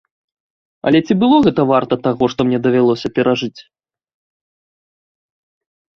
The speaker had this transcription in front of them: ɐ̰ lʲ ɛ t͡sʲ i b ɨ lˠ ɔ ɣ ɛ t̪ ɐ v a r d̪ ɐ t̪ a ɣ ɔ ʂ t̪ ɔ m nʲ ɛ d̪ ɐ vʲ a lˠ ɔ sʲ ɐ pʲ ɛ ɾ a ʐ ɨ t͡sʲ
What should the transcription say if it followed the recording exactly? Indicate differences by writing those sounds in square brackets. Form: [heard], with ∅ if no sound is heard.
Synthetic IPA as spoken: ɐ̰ lʲ ɛ t͡sʲ i b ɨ lˠ ɔ ɣ ɛ t̪ ɐ v a r [t̪] ɐ t̪ a ɣ ɔ ʂ t̪ ɔ m nʲ ɛ d̪ ɐ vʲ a lˠ ɔ sʲ ɐ pʲ ɛ ɾ a ʐ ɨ t͡sʲ